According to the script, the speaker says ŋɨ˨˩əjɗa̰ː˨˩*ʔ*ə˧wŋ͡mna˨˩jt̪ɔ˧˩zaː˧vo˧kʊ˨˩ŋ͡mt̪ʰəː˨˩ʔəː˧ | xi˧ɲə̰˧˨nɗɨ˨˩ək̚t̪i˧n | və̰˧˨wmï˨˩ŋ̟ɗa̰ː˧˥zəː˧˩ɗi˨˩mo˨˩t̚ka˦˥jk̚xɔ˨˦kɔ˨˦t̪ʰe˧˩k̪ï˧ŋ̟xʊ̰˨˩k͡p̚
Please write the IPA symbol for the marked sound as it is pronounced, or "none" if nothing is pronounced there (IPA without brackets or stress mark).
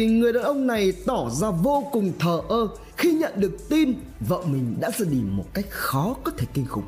ʔ